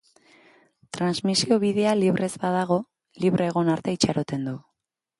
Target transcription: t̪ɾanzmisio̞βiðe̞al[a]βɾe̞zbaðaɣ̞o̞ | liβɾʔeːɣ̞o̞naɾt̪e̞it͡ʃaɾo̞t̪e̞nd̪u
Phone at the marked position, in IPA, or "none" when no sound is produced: i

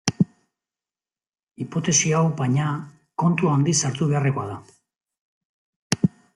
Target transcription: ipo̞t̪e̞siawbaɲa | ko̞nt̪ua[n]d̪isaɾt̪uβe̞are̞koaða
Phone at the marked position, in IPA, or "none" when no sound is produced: n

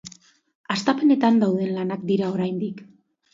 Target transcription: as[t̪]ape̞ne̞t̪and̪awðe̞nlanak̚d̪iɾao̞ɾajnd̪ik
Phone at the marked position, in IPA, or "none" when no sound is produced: t̪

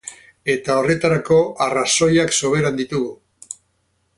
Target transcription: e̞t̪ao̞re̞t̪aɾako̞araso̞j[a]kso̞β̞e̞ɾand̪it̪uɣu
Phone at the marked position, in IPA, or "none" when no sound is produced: a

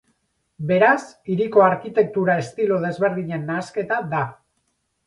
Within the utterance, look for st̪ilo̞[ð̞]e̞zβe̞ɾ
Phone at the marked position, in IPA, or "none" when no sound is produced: ð̞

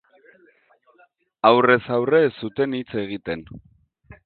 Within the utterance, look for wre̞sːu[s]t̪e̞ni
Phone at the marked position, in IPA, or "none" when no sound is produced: none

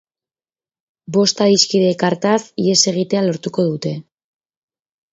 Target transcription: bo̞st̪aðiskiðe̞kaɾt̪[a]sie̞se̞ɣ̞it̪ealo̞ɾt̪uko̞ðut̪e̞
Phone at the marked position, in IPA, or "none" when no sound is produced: a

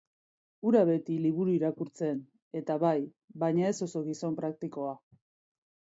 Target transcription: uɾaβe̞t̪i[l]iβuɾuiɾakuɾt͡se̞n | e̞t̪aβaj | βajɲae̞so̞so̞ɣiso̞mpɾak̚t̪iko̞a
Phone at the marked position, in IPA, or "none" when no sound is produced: l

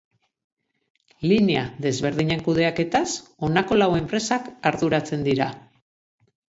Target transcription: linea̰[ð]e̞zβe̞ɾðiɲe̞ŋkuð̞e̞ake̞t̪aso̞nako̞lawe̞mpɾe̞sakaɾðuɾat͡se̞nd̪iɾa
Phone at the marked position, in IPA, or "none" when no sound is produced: ð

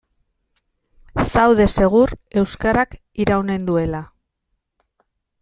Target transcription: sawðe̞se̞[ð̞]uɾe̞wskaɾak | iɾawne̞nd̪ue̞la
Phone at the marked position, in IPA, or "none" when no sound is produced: ɣ̞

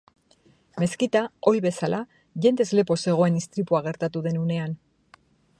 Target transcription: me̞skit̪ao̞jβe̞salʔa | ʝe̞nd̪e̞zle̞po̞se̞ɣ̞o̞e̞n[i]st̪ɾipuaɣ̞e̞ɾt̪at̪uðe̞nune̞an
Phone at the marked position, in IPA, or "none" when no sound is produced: i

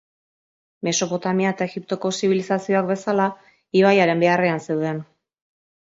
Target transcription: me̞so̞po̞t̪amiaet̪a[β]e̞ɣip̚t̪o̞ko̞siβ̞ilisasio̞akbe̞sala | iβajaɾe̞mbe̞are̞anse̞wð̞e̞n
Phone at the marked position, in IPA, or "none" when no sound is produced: none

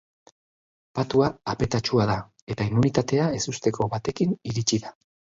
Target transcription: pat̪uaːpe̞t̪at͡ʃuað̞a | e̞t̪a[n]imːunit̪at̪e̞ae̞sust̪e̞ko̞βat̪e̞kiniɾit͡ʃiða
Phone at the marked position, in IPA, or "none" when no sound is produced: none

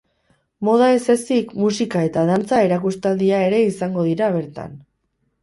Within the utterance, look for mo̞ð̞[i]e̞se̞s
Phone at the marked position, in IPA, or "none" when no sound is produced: a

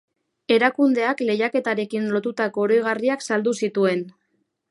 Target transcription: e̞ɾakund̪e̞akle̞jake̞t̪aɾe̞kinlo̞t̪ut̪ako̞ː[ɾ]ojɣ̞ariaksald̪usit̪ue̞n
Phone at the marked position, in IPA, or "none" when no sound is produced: ɾ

